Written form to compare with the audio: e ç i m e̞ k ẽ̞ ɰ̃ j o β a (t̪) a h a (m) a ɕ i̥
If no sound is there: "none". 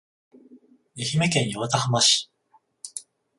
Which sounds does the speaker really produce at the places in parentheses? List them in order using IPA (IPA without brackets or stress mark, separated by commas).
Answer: t̪, m